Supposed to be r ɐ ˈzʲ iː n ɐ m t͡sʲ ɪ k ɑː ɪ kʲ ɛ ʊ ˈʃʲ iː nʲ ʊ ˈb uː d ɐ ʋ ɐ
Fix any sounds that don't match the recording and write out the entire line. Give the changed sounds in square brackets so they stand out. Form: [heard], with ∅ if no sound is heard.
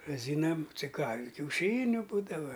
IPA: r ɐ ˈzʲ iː n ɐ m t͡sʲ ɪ k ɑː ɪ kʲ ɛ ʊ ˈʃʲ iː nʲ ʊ ˈb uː d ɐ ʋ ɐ